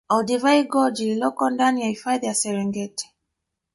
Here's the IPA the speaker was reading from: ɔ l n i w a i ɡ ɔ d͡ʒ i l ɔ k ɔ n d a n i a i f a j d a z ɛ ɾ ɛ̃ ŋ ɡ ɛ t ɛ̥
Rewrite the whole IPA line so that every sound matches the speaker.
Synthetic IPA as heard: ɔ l d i v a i ɡ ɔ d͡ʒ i l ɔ k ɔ n d a n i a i f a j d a s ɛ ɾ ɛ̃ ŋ ɡ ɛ t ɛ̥